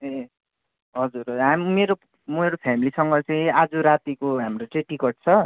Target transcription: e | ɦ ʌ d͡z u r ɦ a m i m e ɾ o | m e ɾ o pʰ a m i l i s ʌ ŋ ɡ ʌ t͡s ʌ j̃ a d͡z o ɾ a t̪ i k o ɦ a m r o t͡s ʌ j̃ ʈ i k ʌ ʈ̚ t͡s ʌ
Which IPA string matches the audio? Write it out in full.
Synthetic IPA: e | ɦ ʌ d͡z u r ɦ a m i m e ɾ o | m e ɾ o pʰ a m i l i s ʌ ŋ ɡ ʌ t͡s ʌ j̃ a d͡z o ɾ a t̪ i k o ɦ a m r o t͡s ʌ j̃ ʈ i k ʌ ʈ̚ t͡sʰ ʌ